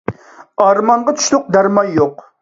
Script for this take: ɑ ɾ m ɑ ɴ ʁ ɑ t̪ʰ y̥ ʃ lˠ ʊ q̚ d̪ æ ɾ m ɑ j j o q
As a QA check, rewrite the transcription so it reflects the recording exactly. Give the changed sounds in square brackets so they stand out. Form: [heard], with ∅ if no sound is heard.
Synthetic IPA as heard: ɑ ɾ m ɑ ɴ ʁ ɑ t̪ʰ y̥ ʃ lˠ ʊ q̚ d̪ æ ɾ m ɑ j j o q